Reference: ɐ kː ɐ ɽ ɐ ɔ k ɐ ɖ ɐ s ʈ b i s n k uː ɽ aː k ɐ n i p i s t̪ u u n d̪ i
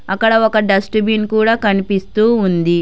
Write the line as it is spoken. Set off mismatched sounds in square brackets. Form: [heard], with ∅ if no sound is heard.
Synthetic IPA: ɐ kː ɐ ɽ ɐ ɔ k ɐ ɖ ɐ s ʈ b i [∅] n k uː ɽ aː k ɐ n i p i s t̪ [uː] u n d̪ i